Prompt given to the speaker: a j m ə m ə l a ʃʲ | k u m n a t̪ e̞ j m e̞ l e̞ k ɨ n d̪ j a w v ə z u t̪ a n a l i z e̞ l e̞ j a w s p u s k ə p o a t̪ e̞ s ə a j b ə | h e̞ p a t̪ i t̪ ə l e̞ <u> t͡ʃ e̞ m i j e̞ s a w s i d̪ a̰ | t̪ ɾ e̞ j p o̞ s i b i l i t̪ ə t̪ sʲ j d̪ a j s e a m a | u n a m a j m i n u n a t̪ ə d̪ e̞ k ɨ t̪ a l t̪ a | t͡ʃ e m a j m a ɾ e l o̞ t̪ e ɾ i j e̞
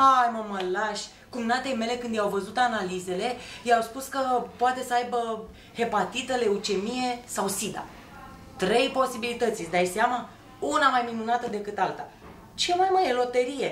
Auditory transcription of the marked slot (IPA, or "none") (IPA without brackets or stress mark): u